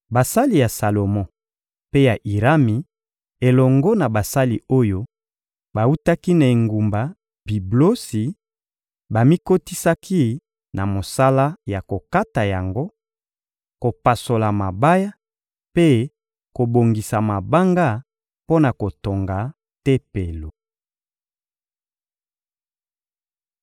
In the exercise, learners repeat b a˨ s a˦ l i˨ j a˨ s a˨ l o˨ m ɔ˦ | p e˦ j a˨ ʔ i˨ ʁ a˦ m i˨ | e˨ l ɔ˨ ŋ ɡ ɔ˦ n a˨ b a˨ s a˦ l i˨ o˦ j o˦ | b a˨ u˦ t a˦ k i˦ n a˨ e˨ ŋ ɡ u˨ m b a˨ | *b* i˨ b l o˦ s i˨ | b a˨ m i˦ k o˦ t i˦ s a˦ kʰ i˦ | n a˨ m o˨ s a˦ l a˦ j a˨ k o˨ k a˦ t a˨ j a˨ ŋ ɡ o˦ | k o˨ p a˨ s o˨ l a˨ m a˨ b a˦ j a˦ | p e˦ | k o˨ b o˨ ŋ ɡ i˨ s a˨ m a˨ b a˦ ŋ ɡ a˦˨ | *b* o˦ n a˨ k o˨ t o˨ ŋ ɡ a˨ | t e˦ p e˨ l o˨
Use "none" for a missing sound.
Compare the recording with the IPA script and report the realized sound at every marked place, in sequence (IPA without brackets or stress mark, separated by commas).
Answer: b, p